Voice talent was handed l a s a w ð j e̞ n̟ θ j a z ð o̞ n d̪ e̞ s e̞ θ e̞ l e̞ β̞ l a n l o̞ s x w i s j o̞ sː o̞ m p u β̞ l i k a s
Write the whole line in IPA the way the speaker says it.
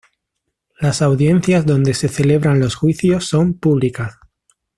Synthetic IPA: l a s a w ð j e̞ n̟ θ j a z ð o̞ n d̪ e̞ s e̞ θ e̞ l e̞ β̞ ɾ a n l o̞ s x w i θ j o̞ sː o̞ m p u β̞ l i k a s